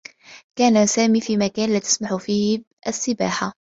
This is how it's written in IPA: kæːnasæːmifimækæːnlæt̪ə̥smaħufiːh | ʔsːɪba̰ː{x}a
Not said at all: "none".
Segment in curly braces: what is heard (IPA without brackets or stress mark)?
ħ